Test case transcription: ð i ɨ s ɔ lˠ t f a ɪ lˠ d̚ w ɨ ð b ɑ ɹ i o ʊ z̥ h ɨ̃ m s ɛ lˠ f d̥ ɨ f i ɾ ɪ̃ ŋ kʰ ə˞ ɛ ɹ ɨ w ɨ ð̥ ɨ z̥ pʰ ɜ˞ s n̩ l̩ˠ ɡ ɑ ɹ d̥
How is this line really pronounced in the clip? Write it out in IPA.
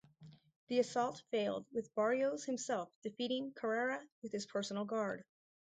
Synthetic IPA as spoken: ð i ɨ s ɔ lˠ t f e ɪ lˠ d̚ w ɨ ð b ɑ ɹ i o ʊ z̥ h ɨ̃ m s ɛ lˠ f d̥ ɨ f i ɾ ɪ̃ ŋ kʰ ə˞ ɛ ɹ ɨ w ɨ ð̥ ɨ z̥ pʰ ɜ˞ s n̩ l̩ˠ ɡ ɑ ɹ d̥